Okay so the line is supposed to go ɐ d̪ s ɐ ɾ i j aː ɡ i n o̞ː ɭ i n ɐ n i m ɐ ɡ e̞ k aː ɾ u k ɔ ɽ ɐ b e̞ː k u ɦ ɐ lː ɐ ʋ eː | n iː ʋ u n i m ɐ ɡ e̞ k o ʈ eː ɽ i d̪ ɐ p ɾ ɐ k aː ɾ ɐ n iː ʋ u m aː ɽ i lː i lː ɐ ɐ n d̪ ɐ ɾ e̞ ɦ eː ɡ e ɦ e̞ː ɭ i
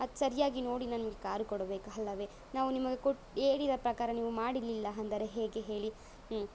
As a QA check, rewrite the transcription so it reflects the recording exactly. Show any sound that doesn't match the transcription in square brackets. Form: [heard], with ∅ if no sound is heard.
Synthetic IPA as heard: ɐ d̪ s ɐ ɾ i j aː ɡ i n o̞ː [ɽ] i n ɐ n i m ɐ ɡ e̞ k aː ɾ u k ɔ ɽ ɐ b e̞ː k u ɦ ɐ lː ɐ ʋ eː | n [aː] ʋ u n i m ɐ ɡ e̞ k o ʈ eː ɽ i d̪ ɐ p ɾ ɐ k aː ɾ ɐ n iː ʋ u m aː ɽ i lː i lː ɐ ɐ n d̪ ɐ ɾ e̞ ɦ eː ɡ e ɦ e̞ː ɭ i